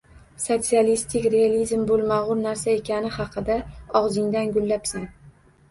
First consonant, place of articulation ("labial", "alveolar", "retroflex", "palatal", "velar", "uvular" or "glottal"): alveolar